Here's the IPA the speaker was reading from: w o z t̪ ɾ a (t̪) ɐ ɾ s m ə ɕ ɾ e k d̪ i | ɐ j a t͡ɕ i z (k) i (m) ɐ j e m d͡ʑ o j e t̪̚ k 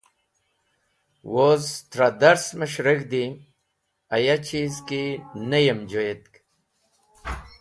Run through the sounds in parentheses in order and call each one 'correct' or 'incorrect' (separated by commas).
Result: incorrect, correct, incorrect